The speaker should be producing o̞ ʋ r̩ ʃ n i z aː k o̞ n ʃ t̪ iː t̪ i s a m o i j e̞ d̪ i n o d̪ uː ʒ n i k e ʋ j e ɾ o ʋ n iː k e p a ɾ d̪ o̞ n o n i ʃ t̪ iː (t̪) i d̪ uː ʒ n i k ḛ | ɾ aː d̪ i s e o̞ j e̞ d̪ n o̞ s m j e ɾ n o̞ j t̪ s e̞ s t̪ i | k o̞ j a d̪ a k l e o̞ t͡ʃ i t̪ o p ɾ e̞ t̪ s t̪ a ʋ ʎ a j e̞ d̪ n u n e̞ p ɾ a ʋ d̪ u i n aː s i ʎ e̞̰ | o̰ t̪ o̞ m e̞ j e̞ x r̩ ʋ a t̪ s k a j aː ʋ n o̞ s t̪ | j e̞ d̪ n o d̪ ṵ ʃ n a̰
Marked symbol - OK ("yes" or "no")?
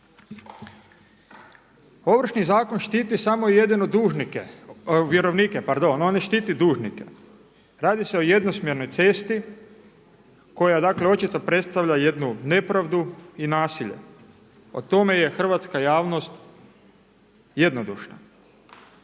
yes